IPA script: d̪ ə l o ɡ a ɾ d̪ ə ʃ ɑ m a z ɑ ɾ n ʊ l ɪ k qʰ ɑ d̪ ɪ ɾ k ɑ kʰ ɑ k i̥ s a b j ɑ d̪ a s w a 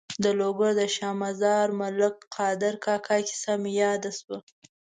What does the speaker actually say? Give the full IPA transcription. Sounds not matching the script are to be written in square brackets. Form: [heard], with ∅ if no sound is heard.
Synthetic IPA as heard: d̪ ə l o ɡ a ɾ d̪ ə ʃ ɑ m a z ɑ ɾ [m] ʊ l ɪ k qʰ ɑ d̪ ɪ ɾ k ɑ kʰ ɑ k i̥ s a [m] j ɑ d̪ a s w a